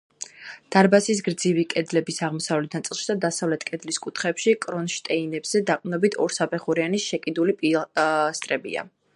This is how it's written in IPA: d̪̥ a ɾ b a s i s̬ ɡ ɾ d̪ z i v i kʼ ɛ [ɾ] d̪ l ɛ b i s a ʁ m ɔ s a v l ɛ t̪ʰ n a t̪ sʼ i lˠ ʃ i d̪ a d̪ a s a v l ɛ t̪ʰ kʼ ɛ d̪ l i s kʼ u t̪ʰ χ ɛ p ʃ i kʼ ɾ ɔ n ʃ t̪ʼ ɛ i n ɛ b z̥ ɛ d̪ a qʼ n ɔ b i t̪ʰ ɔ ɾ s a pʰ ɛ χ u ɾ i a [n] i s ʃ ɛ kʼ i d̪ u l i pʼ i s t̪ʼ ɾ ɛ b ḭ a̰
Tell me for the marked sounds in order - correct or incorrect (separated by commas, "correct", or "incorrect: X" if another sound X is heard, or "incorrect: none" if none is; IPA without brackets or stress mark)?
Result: incorrect: none, correct